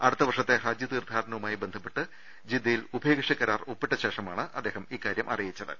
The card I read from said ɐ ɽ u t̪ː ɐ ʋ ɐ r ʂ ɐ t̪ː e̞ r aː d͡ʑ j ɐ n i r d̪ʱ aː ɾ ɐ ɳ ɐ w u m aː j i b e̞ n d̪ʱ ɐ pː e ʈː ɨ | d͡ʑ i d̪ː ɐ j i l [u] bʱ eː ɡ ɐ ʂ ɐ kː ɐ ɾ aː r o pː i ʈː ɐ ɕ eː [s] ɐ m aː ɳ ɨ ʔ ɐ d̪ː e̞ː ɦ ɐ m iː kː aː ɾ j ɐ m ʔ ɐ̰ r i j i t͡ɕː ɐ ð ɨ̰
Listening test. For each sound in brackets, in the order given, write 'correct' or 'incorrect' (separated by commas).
correct, incorrect